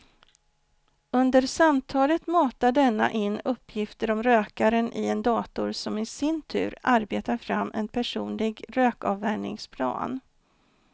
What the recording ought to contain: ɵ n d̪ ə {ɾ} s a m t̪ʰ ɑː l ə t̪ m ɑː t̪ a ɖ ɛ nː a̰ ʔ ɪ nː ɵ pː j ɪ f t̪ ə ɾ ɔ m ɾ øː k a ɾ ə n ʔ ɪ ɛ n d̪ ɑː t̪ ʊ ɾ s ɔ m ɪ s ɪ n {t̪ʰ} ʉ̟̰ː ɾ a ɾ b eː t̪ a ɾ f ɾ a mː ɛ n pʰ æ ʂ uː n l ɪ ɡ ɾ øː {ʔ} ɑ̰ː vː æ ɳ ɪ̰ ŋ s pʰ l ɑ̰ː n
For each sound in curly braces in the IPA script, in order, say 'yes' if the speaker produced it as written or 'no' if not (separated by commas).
yes, yes, no